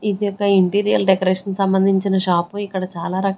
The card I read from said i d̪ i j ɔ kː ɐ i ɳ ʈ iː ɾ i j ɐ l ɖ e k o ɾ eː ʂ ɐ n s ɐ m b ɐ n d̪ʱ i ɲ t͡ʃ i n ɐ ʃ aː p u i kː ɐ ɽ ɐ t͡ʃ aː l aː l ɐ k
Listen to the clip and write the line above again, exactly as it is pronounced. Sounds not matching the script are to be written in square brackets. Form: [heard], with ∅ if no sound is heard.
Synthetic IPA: i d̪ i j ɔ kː ɐ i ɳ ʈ iː ɾ i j ɐ l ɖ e k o ɾ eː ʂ ɐ n s ɐ m b ɐ n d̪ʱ i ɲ t͡ʃ i n ɐ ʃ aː p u i kː ɐ ɽ ɐ t͡ʃ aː l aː [ɾ] ɐ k